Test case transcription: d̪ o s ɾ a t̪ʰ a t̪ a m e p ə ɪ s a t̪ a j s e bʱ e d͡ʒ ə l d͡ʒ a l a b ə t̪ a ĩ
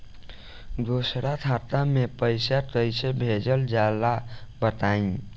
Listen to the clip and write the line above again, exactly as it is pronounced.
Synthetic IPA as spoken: d̪ o s ɾ a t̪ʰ a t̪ a m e p ə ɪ s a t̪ ə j s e bʱ e d͡ʒ ə l d͡ʒ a l a b ə t̪ a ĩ